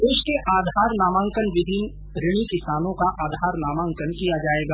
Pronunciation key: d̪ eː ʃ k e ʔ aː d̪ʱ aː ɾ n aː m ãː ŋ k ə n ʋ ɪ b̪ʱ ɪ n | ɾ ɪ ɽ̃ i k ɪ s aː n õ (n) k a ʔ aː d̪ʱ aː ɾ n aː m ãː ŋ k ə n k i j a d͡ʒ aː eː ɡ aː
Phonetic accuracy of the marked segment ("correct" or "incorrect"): incorrect